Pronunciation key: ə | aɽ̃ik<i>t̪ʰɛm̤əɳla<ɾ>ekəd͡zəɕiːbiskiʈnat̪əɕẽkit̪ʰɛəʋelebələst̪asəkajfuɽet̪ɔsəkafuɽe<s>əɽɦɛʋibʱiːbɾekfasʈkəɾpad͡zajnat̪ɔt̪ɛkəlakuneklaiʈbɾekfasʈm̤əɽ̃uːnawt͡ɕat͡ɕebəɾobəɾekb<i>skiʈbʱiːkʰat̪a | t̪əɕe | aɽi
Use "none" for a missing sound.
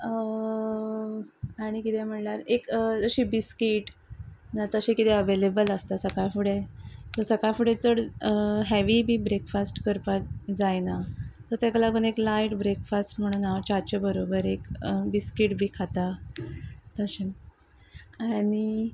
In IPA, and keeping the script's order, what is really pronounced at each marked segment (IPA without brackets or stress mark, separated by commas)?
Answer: i, ɾ, t͡s, i